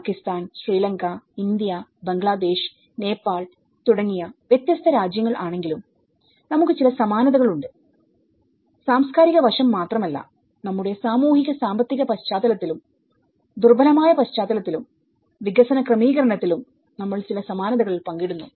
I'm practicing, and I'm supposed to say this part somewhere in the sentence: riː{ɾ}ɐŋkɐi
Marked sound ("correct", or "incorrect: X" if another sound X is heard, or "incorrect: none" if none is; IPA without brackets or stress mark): incorrect: l